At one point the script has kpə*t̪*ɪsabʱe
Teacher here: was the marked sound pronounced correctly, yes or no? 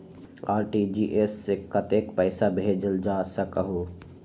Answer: no